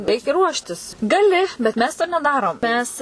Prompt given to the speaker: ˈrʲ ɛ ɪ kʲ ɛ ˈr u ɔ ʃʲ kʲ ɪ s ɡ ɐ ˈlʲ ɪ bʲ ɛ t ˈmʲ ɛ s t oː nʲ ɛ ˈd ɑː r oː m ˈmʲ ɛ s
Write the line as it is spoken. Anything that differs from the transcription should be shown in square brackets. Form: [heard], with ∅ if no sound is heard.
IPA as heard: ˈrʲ ɛ ɪ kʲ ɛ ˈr u ɔ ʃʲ [tʲ] ɪ s ɡ ɐ ˈlʲ ɪ bʲ ɛ t ˈmʲ ɛ s t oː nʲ ɛ ˈd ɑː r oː m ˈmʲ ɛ s

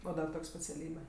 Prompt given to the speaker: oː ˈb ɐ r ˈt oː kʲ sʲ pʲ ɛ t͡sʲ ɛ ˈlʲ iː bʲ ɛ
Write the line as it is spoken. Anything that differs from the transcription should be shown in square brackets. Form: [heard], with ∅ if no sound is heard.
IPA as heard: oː [ˈd] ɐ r ˈt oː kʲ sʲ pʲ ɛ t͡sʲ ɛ ˈlʲ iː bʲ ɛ

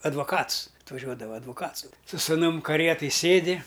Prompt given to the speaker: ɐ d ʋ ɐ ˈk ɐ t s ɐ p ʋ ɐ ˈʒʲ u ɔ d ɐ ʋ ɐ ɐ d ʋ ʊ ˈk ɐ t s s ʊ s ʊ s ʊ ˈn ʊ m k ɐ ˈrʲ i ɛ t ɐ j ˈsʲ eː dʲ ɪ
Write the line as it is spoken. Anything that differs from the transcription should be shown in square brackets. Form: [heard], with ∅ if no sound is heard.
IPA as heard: ɐ d ʋ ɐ ˈk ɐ t s ɐ [t] ʋ ɐ ˈʒʲ u ɔ d ɐ ʋ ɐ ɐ d ʋ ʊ ˈk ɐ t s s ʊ s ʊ s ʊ ˈn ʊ m k ɐ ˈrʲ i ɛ t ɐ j ˈsʲ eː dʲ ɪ

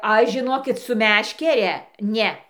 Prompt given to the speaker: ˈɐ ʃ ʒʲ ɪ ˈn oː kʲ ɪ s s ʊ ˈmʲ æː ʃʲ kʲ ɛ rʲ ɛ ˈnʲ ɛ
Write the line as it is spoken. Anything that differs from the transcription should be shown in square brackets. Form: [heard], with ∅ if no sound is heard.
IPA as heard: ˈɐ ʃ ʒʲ ɪ ˈn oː kʲ ɪ [t] s ʊ ˈmʲ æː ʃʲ kʲ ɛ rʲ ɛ ˈnʲ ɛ

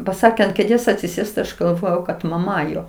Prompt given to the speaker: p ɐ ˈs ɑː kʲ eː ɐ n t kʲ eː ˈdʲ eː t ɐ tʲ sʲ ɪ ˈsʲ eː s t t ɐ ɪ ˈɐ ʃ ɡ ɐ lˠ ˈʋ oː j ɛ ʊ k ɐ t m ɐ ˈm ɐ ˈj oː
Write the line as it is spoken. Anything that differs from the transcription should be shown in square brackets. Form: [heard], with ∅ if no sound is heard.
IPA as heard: p ɐ ˈs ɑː kʲ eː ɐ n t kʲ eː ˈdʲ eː [s] ɐ tʲ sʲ ɪ ˈsʲ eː s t t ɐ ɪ ˈɐ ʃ ɡ ɐ lˠ ˈʋ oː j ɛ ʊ k ɐ t m ɐ ˈm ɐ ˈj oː

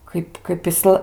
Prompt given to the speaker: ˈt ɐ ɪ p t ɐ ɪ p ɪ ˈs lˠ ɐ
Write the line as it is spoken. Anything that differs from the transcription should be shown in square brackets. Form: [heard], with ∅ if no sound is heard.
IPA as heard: [ˈk] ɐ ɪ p [k] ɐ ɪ p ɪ ˈs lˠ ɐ

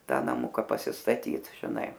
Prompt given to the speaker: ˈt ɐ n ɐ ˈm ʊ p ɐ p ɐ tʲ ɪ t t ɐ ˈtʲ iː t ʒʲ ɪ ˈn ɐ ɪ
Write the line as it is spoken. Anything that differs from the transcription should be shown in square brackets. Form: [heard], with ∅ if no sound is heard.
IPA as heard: ˈt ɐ n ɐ ˈm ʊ [k] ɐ p ɐ [sʲ] ɪ [s] t ɐ ˈtʲ iː t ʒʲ ɪ ˈn ɐ ɪ

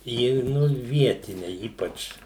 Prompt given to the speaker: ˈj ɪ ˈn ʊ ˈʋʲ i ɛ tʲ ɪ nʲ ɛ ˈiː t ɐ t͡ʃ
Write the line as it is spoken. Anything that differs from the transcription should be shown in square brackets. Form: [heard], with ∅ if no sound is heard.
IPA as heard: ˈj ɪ ˈn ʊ ˈʋʲ i ɛ tʲ ɪ nʲ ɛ ˈiː [p] ɐ t͡ʃ

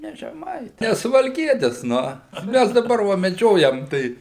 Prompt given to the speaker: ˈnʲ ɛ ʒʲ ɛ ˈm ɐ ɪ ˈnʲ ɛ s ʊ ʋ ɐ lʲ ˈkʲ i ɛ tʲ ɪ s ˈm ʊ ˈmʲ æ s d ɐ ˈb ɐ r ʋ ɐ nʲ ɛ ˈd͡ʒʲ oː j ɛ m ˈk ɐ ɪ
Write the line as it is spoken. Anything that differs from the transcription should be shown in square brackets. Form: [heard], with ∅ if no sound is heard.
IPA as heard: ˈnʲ ɛ ʒʲ ɛ ˈm ɐ ɪ ˈnʲ ɛ s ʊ ʋ ɐ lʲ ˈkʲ i ɛ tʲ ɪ s [ˈn] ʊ ˈmʲ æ s d ɐ ˈb ɐ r ʋ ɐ [mʲ] ɛ ˈd͡ʒʲ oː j ɛ m [ˈt] ɐ ɪ

